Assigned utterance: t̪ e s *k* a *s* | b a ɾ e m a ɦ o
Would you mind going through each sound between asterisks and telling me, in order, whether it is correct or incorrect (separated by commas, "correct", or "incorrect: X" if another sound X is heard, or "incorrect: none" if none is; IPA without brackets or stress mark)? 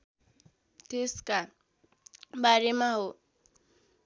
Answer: correct, incorrect: none